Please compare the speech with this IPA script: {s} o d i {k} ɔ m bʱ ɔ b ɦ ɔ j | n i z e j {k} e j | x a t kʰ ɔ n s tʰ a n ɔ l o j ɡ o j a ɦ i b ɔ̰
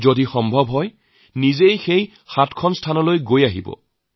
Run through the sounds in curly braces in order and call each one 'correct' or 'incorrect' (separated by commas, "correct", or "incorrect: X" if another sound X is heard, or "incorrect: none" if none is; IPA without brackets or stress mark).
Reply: incorrect: z, incorrect: x, incorrect: x